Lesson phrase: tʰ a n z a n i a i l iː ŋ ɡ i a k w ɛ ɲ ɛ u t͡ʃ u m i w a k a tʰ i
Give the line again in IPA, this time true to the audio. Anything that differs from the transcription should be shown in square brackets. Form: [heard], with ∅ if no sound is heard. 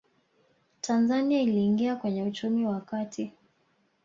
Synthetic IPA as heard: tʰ a n z a n i a i l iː ŋ ɡ i a k w ɛ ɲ ɛ u t͡ʃ u m i w a k a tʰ i